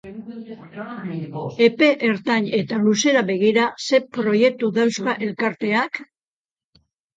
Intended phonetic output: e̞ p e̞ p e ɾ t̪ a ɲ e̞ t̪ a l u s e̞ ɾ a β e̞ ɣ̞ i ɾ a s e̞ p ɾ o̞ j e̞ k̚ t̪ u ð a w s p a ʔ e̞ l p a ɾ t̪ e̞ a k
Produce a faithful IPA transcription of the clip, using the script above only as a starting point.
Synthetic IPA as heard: e̞ p e̞ ʔ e ɾ t̪ a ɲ e̞ t̪ a l u s e̞ ɾ a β e̞ ɣ̞ i ɾ a s e̞ p ɾ o̞ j e̞ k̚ t̪ u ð a w s k a ʔ e̞ l k a ɾ t̪ e̞ a k